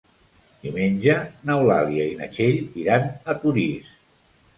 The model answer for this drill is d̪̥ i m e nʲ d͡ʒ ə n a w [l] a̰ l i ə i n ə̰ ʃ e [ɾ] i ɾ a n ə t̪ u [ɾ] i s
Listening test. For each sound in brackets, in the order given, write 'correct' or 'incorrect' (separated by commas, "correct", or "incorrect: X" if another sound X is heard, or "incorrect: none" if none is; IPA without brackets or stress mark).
correct, incorrect: ʎ, correct